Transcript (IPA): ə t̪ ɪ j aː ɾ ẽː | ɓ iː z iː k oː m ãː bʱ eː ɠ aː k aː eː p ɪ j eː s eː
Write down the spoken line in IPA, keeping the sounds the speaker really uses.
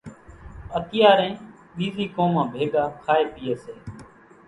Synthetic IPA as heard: ə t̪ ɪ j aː ɾ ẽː | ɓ iː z iː k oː m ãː bʱ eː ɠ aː kʰ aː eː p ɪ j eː s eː